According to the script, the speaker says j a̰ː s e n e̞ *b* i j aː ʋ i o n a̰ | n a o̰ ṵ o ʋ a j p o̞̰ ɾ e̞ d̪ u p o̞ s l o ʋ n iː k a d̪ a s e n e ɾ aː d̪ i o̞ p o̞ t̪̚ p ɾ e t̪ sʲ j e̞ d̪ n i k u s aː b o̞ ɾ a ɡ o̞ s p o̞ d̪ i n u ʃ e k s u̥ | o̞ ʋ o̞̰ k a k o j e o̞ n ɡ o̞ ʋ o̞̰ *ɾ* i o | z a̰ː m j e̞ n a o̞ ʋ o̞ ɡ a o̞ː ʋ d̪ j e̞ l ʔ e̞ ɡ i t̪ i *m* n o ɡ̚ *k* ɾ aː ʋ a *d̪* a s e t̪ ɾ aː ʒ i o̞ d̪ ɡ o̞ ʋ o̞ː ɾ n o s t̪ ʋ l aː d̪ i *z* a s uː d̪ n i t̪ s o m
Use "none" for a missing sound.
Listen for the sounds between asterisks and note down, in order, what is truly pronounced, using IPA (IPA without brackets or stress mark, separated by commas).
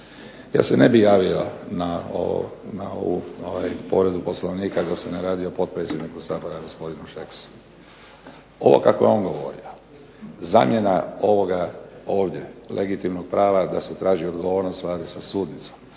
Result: b, ɾ, m, p, d̪, s